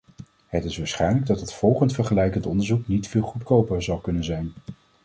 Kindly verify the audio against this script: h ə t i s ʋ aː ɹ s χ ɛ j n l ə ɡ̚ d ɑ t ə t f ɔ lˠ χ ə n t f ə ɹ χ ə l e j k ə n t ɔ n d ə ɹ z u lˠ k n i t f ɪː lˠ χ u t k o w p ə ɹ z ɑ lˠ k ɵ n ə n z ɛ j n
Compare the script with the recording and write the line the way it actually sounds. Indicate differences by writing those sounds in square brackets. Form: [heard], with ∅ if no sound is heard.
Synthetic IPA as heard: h ə t [ɪ] s ʋ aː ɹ s χ ɛ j n l ə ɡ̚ d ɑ t ə t f ɔ lˠ χ ə n t f ə ɹ χ ə l [ɛ] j k ə n t ɔ n d ə ɹ z u [∅] k n i t f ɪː lˠ χ u t k o w p ə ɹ z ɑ lˠ k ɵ n ə n z ɛ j n

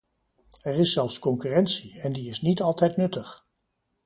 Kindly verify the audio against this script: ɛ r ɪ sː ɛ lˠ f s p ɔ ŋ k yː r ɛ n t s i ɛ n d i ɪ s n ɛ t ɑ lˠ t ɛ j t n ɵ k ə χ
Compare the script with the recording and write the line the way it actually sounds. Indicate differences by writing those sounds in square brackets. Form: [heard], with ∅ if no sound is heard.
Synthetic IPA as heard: ɛ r ɪ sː ɛ lˠ f s [k] ɔ ŋ k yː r ɛ n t s i ɛ n d i ɪ s n [i] t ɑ lˠ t ɛ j t n ɵ [t] ə χ

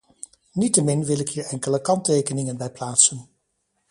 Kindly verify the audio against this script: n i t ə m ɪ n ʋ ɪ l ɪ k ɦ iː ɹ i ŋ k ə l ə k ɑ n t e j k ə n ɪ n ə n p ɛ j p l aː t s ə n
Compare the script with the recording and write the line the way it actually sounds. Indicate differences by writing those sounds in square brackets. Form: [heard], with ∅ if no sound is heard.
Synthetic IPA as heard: n i t ə m ɪ n ʋ ɪ l ɪ k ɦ iː ɹ [ɛ] ŋ k ə l ə k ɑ n t e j k ə n ɪ [ŋ] ə n [b] ɛ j p l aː t s ə n

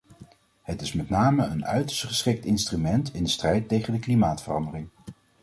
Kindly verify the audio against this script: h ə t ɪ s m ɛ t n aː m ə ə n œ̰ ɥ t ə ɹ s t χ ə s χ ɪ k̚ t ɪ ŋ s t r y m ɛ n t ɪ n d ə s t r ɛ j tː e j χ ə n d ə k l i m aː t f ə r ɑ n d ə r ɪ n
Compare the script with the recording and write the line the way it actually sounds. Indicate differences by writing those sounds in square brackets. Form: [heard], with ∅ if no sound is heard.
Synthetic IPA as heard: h ə t ɪ s m ɛ t n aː m ə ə n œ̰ ɥ t ə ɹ s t χ ə s χ ɪ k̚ t ɪ [n] s t r y m ɛ n t ɪ n d ə s t r ɛ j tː e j χ ə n d ə k l i m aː t f ə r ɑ n d ə r ɪ [ŋ]

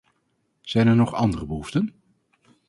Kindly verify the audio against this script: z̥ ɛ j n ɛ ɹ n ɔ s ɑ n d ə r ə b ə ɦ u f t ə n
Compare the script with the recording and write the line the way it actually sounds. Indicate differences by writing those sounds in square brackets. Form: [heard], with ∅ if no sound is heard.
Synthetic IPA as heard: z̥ ɛ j n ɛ ɹ n ɔ [χ] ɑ n d ə r ə b ə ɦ u f t ə n

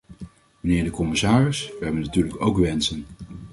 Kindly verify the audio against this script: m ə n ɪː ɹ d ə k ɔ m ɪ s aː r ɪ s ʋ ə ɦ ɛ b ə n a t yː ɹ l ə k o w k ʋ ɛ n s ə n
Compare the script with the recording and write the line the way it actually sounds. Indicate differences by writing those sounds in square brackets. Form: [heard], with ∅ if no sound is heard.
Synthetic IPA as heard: m ə n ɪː ɹ d ə k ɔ m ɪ s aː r ɪ s ʋ ə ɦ ɛ b ə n a t yː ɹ l ə k o w k ʋ ɛ n s ə n

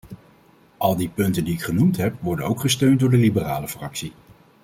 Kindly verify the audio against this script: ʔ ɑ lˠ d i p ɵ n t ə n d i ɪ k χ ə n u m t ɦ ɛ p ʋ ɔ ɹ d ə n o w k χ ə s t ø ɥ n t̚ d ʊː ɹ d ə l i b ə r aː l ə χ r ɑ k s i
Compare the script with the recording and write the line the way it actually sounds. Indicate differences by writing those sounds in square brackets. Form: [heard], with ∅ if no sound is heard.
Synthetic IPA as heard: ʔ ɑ lˠ d i p ɵ n t ə n d i ɪ k χ ə n u m t ɦ ɛ p ʋ ɔ ɹ d ə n o w k χ ə s t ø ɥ n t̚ d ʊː ɹ d ə l i b ə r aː l ə [f] r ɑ k s i

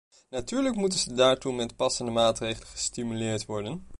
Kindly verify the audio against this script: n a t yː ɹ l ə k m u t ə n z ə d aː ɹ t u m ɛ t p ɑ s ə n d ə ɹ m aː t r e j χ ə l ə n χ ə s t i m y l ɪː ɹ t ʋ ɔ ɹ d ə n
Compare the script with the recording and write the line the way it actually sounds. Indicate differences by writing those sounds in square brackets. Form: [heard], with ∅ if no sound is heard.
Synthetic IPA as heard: n a t yː ɹ l ə k m u t ə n z ə d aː ɹ t u m ɛ t p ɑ s ə n d ə [∅] m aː t r e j χ ə l ə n χ ə s t i m y l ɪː ɹ t ʋ ɔ ɹ d ə n

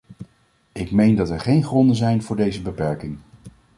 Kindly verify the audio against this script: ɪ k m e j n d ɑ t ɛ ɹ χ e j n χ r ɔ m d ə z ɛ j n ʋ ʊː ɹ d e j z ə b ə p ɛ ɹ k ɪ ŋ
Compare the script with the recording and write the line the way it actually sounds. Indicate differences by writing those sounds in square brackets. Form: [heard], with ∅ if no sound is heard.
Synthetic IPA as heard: ɪ k m e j n d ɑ t ɛ ɹ χ e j n χ r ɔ [n] d ə z ɛ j n [v] ʊː ɹ d e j z ə b ə p ɛ ɹ k ɪ ŋ

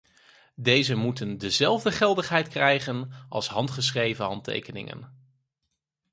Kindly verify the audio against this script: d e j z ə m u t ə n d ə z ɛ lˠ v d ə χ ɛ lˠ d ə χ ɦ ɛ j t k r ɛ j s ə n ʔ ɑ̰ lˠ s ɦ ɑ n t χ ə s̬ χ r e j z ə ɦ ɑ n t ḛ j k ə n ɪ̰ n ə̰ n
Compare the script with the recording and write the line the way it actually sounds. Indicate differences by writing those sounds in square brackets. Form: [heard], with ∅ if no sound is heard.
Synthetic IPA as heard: d e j z ə m u t ə n d ə z ɛ lˠ v d ə χ ɛ lˠ d ə χ ɦ ɛ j t k r ɛ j [χ] ə n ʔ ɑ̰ lˠ s ɦ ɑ n t χ ə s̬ χ r e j [v] ə ɦ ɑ n t ḛ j k ə n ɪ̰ [ŋ] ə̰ n

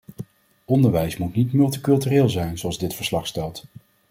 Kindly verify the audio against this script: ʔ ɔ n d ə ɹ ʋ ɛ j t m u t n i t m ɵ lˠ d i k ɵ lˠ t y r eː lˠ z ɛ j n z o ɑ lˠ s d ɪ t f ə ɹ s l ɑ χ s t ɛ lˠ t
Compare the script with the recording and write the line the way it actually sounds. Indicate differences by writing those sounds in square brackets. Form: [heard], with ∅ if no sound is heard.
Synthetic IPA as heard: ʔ ɔ n d ə ɹ ʋ ɛ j [s] m u t n i t m ɵ lˠ [t] i k ɵ lˠ t y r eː lˠ z ɛ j n z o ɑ lˠ [z] d ɪ t f ə ɹ s l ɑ χ s t ɛ lˠ t

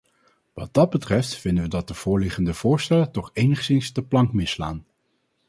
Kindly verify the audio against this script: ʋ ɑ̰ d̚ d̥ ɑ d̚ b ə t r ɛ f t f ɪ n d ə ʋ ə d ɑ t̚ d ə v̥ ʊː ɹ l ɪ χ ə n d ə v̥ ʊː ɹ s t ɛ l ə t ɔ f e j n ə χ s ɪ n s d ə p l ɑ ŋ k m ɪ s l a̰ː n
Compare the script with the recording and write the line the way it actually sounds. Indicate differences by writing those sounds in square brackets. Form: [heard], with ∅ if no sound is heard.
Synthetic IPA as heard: ʋ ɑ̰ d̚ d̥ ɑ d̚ b ə t r ɛ f t f ɪ n d ə ʋ ə d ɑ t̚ d ə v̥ ʊː ɹ l ɪ χ ə n d ə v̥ ʊː ɹ s t ɛ l ə t ɔ [χ] e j n ə χ s ɪ n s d ə p l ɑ ŋ k m ɪ s l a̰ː n

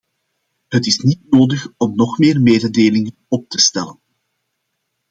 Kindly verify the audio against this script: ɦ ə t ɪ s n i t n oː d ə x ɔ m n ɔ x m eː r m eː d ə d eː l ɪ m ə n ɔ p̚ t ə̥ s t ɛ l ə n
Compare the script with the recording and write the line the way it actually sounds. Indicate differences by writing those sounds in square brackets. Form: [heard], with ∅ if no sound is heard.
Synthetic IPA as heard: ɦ ə t ɪ s n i t n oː d ə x ɔ m n ɔ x m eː r m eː d ə d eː l ɪ [ŋ] ə n ɔ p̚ t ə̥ s t ɛ l ə n

